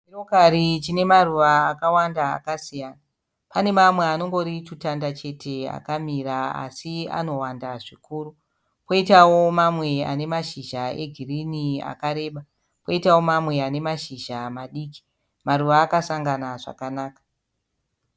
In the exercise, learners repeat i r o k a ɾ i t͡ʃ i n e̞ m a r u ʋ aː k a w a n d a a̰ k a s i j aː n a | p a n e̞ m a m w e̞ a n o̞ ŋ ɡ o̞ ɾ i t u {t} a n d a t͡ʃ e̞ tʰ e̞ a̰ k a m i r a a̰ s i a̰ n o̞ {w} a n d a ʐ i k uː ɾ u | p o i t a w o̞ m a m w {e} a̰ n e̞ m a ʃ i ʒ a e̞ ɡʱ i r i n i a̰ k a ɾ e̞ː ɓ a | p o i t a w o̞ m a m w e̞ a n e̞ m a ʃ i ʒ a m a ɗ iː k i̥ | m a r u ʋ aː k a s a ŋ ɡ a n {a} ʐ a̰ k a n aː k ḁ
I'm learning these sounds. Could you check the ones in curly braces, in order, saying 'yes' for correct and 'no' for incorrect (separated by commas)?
yes, yes, yes, yes